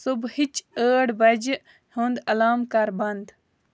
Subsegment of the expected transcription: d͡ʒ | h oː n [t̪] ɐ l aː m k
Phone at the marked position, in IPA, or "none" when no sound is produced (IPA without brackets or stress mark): d̪